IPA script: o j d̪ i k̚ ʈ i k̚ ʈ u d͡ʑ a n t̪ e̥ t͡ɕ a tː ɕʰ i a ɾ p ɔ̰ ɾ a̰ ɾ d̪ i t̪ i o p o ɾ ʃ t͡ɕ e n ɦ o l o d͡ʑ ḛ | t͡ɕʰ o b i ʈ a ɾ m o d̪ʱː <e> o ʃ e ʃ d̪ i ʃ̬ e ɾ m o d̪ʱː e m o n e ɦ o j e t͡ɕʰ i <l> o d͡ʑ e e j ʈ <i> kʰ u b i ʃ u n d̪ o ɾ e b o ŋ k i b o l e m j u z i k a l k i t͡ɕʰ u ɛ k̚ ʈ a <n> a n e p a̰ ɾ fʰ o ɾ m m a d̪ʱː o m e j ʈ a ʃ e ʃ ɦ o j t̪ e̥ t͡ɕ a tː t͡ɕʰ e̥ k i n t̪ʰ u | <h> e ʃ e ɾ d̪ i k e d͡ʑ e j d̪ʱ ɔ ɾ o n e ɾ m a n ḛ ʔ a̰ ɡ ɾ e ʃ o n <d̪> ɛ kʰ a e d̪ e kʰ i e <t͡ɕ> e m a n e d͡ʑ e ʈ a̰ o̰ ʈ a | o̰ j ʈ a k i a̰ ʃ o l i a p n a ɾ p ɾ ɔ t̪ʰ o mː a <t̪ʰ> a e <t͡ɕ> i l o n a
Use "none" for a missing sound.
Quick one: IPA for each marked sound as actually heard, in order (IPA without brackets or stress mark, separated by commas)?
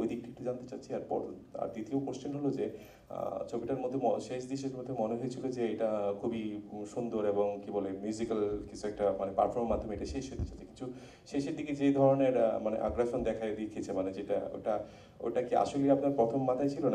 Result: e, l, a, m, ʃ, d̪, t͡ɕʰ, t̪ʰ, t͡ɕʰ